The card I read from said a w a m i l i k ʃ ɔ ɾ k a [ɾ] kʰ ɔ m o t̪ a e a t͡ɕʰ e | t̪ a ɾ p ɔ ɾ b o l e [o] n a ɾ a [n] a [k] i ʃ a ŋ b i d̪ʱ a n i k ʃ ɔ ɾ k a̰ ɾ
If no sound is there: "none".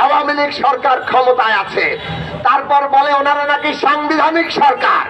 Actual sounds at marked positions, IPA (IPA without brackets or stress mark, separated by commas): ɾ, o, n, k